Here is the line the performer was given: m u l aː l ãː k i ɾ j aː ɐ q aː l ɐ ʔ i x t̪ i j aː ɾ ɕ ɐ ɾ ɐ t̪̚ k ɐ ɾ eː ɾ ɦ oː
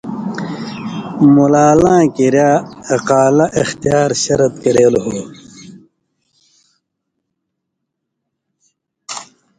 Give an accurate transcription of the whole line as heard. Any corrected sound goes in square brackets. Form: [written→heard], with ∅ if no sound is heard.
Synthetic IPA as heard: m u l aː l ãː k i ɾ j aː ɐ q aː l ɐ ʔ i x t̪ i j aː ɾ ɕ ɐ ɾ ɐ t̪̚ k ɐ ɾ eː [ɾ→l] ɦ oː